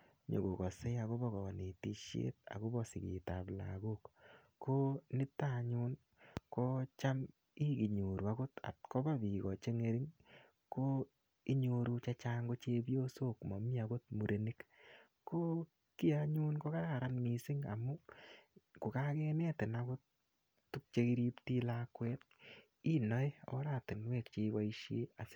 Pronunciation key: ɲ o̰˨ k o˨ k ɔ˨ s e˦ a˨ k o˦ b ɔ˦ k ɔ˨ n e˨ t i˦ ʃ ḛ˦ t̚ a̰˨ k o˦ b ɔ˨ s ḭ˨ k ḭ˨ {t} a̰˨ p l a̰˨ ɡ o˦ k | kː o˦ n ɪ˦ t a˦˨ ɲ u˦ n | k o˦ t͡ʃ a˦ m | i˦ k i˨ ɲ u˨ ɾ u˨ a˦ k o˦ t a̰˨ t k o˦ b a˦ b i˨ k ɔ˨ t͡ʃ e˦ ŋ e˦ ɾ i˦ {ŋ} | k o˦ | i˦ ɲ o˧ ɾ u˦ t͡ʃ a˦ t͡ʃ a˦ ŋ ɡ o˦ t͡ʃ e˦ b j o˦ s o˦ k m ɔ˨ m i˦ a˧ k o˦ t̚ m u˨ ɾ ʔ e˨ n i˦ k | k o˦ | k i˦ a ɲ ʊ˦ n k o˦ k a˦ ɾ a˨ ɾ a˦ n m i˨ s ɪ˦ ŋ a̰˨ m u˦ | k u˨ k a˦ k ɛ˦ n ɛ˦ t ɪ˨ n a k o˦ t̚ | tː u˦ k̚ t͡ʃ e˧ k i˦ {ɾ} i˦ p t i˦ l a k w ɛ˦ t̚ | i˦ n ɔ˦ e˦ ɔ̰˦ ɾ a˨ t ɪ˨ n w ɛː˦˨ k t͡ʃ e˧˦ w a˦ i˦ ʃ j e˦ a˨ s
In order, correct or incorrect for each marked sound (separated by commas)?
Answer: correct, correct, correct